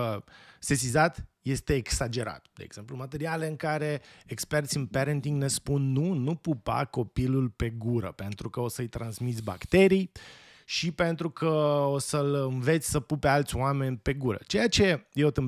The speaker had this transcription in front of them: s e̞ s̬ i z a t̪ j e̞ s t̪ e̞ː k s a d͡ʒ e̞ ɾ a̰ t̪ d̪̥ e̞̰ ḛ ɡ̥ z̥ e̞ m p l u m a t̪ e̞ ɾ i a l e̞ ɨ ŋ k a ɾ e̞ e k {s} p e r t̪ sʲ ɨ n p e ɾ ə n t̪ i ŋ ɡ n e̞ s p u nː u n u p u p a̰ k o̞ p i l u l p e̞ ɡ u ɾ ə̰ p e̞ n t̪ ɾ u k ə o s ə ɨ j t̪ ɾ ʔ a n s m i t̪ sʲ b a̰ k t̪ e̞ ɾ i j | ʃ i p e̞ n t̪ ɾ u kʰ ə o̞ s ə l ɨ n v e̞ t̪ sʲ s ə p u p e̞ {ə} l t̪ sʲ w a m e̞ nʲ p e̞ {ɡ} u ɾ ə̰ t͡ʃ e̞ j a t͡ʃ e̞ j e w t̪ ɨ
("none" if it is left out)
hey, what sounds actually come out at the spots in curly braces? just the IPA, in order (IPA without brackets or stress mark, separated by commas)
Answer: s, a, ɡ